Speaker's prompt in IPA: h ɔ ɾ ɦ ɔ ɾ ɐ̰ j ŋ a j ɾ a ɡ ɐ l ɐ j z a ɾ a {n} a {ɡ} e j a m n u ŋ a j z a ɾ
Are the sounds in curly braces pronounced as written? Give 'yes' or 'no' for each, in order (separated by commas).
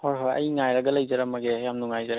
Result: no, yes